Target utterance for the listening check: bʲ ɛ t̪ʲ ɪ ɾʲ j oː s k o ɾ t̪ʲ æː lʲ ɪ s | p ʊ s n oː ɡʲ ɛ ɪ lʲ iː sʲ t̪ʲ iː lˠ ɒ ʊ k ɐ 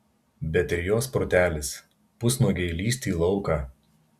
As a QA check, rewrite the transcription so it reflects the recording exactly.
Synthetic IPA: bʲ ɛ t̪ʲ ɪ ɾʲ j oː s p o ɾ t̪ʲ æː lʲ ɪ s | p ʊ s n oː ɡʲ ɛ ɪ lʲ iː sʲ t̪ʲ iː lˠ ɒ ʊ k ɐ